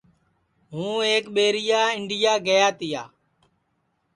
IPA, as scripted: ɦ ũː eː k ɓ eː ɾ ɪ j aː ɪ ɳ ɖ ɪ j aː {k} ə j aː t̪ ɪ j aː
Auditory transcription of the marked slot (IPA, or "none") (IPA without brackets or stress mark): ɡ